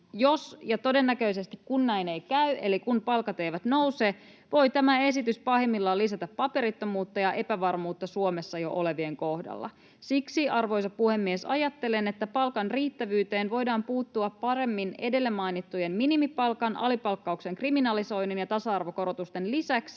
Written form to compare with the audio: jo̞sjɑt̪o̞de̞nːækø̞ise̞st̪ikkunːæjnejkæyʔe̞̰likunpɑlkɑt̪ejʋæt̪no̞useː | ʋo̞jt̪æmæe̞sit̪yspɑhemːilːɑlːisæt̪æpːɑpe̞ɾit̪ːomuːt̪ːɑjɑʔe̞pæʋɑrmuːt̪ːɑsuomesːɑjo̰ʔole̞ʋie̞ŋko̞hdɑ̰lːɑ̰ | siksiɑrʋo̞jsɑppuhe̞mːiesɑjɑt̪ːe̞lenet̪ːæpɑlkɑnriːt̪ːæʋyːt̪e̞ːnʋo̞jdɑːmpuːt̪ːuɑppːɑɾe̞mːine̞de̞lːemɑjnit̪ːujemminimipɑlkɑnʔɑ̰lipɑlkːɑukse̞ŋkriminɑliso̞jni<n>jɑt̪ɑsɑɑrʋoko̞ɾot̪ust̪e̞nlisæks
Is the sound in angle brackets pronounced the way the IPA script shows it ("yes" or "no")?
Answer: yes